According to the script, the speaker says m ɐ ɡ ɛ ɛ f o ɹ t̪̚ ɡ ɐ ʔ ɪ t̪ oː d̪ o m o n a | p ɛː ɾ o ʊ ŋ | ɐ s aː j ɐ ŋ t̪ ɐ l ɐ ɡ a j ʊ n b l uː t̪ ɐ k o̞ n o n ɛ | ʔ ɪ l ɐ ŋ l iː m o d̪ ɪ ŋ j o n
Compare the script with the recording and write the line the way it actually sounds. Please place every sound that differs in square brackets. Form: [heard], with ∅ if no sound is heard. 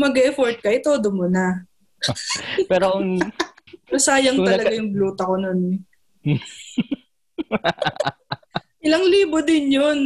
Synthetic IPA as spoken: m ɐ ɡ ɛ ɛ f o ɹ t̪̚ [k] ɐ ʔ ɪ t̪ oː d̪ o m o n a | p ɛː ɾ o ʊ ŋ | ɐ s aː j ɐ ŋ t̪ ɐ l ɐ ɡ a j ʊ [ŋ] b l uː t̪ ɐ k o̞ n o n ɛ | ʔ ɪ l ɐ ŋ l iː [b] o d̪ ɪ [n] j o n